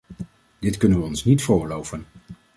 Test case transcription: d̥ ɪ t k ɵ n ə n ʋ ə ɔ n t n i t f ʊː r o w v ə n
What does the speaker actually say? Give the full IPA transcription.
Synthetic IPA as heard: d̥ ɪ t k ɵ n ə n ʋ ə ɔ n s n i t f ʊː l o w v ə n